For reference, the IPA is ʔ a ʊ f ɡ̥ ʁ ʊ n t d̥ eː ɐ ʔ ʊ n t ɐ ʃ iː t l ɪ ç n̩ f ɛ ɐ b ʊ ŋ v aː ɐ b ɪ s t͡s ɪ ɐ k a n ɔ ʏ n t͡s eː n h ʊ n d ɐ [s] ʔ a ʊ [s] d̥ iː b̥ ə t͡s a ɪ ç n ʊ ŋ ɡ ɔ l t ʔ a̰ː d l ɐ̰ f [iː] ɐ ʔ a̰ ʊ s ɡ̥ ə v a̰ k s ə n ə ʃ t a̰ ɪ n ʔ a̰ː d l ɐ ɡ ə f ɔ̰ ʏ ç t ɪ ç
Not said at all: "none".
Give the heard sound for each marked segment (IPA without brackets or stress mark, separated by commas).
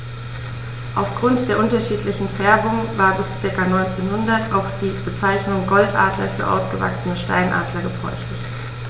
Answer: t, x, yː